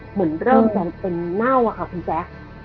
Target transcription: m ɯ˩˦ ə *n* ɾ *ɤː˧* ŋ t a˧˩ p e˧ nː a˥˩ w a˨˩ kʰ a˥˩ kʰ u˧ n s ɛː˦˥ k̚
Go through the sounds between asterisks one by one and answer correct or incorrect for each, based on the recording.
correct, incorrect: ɤː˥˩

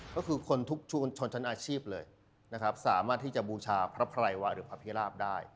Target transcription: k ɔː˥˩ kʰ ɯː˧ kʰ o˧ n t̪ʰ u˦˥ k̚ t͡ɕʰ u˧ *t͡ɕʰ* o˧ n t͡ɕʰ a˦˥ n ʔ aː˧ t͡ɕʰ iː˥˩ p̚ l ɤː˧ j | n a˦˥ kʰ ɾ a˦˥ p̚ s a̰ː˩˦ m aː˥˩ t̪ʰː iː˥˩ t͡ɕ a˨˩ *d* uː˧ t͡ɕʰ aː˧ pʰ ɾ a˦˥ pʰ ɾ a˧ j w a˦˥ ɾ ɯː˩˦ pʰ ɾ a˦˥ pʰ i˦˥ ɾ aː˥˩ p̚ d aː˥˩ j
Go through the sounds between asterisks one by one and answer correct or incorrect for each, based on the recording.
correct, incorrect: b

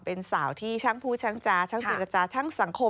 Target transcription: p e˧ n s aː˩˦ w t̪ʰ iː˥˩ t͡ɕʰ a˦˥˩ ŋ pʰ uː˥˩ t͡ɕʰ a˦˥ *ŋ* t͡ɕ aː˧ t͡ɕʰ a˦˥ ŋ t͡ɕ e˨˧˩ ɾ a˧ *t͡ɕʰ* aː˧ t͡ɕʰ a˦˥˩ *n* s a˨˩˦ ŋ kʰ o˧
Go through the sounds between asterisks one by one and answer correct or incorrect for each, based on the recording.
correct, incorrect: t͡ɕ, incorrect: ŋ

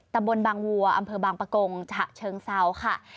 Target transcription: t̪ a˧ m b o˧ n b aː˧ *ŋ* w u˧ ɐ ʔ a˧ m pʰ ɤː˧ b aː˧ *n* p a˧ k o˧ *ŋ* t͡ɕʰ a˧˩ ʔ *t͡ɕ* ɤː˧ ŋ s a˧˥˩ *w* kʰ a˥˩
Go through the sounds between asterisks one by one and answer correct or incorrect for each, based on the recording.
correct, incorrect: ŋ, correct, incorrect: t͡ɕʰ, correct

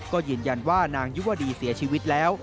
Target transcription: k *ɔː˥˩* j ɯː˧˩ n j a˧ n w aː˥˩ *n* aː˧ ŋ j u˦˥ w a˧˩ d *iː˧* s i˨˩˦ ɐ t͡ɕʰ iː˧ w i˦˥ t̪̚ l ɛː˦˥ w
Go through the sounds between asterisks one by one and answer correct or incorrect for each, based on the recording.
correct, correct, correct

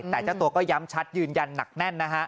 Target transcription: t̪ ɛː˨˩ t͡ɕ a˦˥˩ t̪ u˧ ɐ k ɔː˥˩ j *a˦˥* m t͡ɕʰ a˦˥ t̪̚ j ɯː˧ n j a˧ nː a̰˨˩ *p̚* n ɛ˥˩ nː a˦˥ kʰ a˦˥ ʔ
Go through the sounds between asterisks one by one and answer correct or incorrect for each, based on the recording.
correct, incorrect: k̚

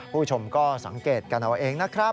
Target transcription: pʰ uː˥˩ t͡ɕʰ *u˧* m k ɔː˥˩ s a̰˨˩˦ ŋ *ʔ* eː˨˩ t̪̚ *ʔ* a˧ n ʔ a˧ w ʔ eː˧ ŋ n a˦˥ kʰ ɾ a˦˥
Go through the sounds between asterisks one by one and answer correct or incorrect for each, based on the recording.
incorrect: o˧, incorrect: k, incorrect: k

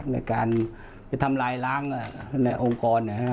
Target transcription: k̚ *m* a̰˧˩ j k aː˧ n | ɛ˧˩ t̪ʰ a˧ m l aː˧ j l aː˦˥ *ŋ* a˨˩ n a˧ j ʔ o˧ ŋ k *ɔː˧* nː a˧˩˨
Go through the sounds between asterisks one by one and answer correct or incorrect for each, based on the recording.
incorrect: n, correct, correct

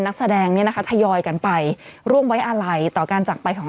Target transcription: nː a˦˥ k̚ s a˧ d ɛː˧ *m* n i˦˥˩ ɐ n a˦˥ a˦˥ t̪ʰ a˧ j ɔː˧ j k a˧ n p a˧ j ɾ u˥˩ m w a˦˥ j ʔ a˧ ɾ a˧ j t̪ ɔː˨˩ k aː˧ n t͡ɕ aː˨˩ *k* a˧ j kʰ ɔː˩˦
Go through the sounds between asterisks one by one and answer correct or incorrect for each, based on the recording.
incorrect: ŋ, incorrect: p

